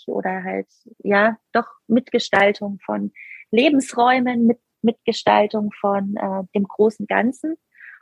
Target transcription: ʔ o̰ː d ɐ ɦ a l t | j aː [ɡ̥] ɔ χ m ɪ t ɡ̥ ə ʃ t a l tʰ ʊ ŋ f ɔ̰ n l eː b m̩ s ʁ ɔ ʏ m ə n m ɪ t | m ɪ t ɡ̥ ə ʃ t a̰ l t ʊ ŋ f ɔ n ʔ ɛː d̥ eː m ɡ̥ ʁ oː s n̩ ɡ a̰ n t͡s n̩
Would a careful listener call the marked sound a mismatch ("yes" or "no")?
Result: yes